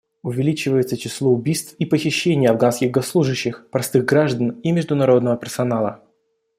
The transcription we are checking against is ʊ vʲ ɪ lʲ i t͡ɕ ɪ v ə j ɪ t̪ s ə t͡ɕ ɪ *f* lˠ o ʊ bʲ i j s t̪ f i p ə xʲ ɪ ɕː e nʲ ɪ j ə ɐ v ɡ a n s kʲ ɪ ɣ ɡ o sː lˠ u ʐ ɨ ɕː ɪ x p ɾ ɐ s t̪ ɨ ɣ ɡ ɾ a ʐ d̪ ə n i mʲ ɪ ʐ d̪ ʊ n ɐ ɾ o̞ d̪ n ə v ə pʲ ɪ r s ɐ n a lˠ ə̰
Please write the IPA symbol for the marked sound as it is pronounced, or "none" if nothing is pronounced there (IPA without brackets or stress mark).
s